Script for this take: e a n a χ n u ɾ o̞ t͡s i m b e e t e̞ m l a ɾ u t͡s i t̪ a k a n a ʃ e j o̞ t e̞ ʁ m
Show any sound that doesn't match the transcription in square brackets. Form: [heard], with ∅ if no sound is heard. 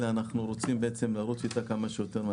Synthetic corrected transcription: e a n a χ n u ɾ o̞ t͡s i m b e e [t͡s] e̞ m l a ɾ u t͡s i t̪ a k a [m] a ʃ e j o̞ t e̞ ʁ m